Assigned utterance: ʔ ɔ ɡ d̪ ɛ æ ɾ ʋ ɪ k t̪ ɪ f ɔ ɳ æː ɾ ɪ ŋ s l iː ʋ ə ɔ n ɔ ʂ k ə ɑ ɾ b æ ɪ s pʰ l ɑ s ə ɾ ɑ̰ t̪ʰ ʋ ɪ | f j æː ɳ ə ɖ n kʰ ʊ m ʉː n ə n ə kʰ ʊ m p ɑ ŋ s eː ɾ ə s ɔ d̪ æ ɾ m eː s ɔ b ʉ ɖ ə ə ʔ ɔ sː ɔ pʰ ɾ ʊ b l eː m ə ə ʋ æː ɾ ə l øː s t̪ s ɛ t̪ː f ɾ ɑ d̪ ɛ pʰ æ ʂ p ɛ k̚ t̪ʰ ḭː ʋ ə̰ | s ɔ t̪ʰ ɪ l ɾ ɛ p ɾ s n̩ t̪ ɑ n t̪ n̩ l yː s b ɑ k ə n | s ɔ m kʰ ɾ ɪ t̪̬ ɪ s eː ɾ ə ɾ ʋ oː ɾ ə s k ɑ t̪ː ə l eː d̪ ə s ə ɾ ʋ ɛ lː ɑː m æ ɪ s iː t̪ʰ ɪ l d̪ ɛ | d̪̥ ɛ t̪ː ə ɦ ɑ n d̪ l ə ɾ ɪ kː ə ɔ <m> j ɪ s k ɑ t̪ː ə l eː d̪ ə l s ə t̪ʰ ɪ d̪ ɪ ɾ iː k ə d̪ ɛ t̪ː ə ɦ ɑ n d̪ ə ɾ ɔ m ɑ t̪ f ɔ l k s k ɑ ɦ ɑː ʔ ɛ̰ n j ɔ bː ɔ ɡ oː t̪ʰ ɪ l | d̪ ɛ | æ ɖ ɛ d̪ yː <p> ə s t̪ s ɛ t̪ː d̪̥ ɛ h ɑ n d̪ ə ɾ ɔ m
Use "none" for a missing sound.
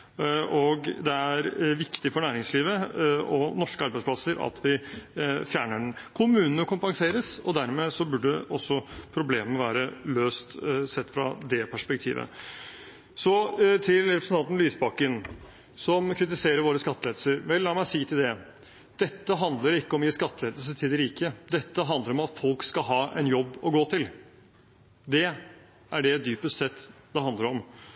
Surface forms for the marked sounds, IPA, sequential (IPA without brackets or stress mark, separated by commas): m, p